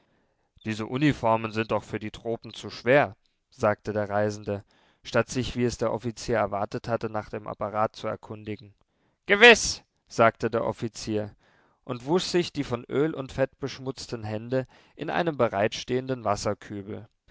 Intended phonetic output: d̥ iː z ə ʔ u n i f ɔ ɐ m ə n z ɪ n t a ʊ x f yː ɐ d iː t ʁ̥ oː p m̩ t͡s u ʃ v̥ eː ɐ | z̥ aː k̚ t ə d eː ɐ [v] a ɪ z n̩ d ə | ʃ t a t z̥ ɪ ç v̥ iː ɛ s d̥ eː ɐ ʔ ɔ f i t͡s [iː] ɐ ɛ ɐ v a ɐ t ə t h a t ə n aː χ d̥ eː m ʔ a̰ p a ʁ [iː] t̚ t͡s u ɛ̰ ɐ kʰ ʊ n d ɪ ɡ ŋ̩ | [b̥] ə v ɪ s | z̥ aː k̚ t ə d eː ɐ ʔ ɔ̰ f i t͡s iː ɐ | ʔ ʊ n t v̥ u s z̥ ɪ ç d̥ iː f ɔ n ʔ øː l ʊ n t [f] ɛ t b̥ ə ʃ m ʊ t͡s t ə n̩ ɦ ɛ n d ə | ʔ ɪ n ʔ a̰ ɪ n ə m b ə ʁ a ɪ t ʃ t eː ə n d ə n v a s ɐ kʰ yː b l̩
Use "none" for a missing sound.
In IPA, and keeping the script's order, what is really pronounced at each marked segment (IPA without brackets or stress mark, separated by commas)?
ʁ, iː, aː, ɡ̥, f